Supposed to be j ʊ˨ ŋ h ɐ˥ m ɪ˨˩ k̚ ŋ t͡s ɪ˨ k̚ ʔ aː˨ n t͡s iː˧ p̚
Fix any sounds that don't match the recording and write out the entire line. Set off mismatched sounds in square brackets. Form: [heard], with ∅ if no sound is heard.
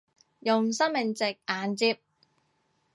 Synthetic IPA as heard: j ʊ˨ ŋ [s] ɐ˥ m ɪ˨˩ [∅] ŋ t͡s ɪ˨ k̚ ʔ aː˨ n t͡s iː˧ p̚